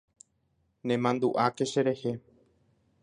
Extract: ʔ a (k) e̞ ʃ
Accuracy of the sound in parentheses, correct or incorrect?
correct